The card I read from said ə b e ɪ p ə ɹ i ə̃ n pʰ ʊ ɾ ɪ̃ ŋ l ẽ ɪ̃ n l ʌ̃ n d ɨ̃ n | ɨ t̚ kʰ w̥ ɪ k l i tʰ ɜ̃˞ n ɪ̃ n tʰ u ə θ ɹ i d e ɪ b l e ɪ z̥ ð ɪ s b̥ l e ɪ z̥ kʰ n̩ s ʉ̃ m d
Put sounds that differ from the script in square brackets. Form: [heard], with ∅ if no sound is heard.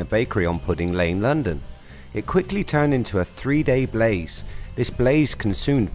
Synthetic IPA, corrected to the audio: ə b e ɪ [k] ə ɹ i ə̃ n pʰ ʊ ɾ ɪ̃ ŋ l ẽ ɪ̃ n l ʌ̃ n d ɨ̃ n | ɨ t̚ kʰ w̥ ɪ k l i tʰ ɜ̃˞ n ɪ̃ n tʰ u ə θ ɹ i d e ɪ b l e ɪ z̥ ð ɪ s b̥ l e ɪ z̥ kʰ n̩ s ʉ̃ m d